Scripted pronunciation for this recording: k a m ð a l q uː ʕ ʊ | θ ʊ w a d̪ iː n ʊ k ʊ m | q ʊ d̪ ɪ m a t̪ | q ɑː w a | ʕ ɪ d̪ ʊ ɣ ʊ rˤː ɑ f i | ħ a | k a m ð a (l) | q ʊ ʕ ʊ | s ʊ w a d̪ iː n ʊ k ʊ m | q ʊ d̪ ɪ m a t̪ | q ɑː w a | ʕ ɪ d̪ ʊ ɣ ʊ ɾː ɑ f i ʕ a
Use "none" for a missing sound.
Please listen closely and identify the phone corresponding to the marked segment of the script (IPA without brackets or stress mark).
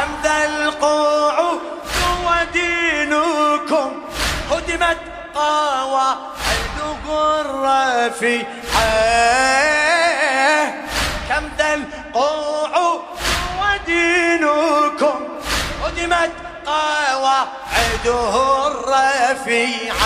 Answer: l